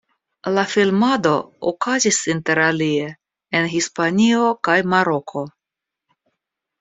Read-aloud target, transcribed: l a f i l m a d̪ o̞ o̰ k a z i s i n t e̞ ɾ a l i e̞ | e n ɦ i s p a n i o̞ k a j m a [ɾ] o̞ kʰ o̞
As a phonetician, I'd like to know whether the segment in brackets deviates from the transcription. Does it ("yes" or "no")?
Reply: no